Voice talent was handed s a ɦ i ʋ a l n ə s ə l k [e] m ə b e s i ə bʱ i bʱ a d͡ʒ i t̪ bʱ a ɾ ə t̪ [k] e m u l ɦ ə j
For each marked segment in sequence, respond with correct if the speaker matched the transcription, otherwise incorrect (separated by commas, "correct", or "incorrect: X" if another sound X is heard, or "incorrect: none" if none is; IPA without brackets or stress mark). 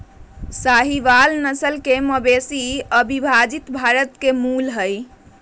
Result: correct, correct